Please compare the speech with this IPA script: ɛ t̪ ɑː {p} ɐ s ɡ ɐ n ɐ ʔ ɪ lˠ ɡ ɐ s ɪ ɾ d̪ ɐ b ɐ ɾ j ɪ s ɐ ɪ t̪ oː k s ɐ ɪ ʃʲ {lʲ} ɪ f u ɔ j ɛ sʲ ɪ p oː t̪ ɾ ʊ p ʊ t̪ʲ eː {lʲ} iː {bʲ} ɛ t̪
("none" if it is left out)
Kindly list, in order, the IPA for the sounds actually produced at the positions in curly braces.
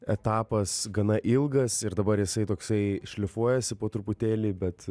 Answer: p, lʲ, lʲ, bʲ

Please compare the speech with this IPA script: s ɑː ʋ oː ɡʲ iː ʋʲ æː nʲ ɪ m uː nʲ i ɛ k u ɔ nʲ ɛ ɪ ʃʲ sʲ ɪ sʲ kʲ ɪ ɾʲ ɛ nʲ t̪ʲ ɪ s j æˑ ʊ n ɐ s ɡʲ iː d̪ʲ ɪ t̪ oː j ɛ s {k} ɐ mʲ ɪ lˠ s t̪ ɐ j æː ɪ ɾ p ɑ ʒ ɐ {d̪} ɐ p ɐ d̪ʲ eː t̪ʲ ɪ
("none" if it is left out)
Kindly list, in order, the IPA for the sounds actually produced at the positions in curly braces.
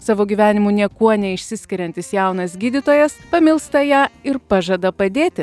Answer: p, d̪

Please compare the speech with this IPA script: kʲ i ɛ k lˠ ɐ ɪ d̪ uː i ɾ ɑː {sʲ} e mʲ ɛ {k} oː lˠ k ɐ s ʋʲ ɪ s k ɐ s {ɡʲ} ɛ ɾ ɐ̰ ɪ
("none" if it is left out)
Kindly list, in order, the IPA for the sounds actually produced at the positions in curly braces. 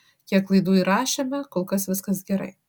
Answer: ʃʲ, k, ɡʲ

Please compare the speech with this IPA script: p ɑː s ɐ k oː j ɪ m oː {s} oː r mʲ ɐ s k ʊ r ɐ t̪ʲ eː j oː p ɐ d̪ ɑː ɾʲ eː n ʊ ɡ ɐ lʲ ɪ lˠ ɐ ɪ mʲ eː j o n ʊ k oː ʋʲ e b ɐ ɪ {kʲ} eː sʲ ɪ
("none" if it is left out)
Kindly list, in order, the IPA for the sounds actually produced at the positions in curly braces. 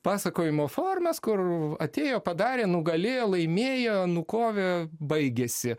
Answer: f, ɡʲ

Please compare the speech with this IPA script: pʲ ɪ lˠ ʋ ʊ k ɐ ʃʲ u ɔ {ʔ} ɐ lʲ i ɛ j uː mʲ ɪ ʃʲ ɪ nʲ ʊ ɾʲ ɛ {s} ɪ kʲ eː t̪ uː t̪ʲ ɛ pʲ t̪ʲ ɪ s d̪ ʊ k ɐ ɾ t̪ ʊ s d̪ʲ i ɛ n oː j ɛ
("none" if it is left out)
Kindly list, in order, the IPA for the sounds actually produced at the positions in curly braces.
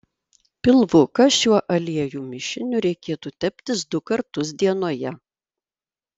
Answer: ʔ, none

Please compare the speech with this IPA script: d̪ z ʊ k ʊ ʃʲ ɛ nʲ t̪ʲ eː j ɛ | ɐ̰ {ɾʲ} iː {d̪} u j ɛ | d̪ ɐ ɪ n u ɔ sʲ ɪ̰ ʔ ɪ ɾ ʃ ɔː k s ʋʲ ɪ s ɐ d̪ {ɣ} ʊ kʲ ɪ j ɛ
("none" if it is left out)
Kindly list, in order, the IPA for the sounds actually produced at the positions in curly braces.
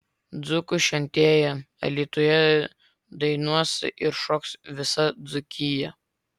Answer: lʲ, t̪, z

